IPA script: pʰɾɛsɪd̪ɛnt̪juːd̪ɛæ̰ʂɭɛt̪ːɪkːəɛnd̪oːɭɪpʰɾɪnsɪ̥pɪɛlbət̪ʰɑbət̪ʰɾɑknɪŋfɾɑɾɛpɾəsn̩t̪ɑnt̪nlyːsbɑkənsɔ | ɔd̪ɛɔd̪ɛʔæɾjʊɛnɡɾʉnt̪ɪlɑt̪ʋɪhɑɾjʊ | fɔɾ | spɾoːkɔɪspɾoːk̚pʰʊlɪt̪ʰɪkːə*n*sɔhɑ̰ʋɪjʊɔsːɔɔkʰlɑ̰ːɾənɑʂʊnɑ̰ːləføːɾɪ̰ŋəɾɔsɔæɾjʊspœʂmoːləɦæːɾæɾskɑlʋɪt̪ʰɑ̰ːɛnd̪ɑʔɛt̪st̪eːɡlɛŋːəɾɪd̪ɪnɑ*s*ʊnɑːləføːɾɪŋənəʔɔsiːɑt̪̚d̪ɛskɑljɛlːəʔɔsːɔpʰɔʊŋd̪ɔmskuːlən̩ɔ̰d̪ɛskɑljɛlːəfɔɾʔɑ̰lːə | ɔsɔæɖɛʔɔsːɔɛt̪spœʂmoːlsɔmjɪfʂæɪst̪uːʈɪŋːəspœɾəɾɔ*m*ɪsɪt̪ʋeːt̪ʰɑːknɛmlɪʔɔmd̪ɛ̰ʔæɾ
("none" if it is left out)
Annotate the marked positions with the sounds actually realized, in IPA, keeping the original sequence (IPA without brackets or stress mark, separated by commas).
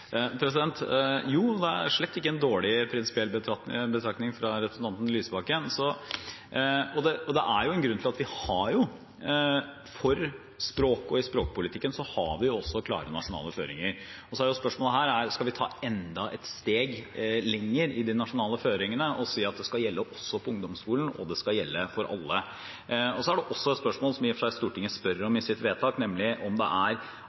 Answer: n, ʂ, m